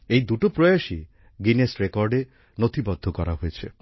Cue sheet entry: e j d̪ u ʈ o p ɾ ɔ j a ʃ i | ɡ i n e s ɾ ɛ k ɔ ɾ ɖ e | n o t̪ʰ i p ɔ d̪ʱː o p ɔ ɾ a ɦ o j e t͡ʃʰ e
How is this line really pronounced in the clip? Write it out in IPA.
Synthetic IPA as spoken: e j d̪ u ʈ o p ɾ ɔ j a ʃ i | ɡ i n e s ɾ e k ɔ ɾ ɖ e | n o t̪ʰ i b ɔ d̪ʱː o k ɔ ɾ a ɦ o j e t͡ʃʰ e